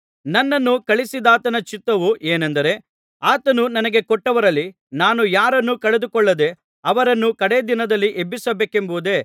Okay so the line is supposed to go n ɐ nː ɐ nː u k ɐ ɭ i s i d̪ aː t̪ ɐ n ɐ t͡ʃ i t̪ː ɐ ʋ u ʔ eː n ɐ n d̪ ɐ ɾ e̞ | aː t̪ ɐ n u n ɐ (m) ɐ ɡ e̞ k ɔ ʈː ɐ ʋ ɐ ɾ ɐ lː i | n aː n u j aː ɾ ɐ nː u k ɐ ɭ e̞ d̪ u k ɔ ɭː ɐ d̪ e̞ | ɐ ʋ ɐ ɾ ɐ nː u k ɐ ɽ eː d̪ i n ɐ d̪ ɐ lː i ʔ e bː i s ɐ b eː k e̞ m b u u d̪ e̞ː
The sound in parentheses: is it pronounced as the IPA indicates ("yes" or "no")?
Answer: no